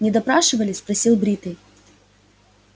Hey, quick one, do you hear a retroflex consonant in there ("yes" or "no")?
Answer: yes